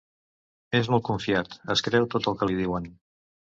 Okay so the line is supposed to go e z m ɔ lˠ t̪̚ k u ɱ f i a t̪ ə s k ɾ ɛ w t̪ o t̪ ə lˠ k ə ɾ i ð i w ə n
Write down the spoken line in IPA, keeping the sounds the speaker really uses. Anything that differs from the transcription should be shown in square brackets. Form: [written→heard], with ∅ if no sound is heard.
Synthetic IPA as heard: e z m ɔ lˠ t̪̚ k u ɱ f i a t̪ ə s k ɾ ɛ w t̪ o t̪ ə lˠ k ə [ɾ→l] i ð i w ə n